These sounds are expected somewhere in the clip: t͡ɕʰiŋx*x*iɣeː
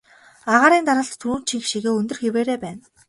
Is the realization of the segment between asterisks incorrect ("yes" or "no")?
yes